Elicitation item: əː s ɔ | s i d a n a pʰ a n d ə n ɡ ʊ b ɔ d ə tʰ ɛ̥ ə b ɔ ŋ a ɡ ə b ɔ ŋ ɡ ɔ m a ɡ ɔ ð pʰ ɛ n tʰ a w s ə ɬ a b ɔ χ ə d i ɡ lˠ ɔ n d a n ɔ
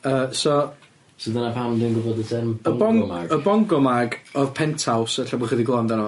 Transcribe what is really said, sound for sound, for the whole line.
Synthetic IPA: əː s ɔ | s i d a n a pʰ a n d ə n ɡ ʊ b ɔ d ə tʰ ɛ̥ ə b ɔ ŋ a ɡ ə b ɔ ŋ ɡ ɔ m a ɡ ɔ ð pʰ ɛ n tʰ a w s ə ɬ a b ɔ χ ə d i ɡ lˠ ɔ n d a n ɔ